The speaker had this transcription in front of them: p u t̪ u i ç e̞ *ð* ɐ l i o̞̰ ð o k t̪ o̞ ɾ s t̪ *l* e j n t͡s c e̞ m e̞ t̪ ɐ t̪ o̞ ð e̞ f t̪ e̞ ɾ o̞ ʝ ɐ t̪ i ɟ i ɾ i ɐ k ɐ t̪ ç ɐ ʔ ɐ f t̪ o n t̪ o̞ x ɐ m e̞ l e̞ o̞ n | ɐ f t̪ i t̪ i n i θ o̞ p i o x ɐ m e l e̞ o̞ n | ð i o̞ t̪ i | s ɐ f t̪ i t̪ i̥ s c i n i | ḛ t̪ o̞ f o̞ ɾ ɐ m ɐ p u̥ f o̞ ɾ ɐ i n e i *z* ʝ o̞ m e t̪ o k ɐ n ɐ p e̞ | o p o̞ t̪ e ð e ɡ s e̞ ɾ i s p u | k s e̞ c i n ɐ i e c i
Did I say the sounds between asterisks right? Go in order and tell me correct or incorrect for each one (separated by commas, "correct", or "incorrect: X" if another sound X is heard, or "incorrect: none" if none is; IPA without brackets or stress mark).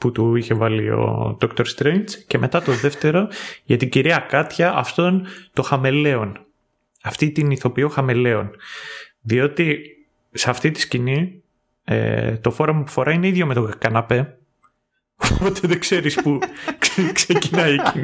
incorrect: v, incorrect: ɾ, incorrect: ð